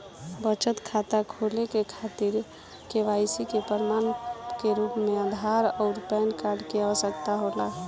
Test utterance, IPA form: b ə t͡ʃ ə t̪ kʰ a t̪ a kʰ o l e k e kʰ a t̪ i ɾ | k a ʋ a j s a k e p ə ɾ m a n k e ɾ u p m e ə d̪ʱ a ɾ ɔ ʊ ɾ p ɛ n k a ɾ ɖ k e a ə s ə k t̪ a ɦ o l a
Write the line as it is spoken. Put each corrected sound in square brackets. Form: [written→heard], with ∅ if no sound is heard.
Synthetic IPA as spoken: b ə t͡ʃ ə t̪ kʰ a t̪ a kʰ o l e k e kʰ a t̪ i ɾ | k [a→e] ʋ a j s [a→i] k e p ə ɾ m a n k e ɾ u p m e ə d̪ʱ a ɾ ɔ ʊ ɾ p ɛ n k a ɾ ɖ k e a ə s ə k t̪ a ɦ o l a